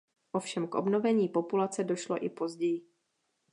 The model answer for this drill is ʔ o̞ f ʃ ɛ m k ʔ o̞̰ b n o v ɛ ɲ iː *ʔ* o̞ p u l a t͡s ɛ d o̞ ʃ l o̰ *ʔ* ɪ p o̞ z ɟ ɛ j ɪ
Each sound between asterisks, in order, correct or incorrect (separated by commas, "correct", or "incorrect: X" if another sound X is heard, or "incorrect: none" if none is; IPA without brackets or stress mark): incorrect: p, correct